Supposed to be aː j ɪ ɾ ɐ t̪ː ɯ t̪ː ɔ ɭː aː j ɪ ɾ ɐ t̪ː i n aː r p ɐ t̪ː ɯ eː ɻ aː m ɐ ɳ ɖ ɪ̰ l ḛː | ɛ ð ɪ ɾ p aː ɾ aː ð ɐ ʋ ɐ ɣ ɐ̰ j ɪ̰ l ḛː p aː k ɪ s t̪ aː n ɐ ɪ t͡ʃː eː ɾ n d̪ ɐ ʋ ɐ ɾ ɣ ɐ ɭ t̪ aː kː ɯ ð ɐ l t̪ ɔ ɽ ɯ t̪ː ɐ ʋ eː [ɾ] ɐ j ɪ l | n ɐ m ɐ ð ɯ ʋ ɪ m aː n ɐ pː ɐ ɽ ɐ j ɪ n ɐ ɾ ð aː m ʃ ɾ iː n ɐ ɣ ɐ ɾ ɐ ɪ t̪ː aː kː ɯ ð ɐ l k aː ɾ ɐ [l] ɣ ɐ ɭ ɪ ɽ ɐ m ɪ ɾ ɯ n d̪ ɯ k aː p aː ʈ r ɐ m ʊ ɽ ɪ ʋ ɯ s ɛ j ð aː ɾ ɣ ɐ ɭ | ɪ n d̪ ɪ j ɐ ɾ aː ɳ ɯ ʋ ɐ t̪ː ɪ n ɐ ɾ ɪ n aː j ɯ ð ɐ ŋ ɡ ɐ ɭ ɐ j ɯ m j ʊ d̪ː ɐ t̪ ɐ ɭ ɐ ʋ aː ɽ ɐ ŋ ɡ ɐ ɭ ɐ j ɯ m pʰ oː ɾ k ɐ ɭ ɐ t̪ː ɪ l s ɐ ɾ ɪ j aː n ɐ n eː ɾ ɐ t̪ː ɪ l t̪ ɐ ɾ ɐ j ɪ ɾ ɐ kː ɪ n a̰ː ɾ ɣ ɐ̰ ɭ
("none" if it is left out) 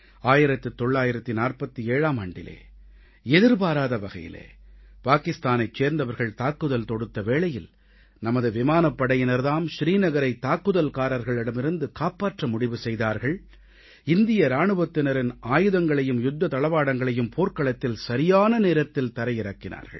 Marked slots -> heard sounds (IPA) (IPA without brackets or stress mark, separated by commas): ɭ, ɾ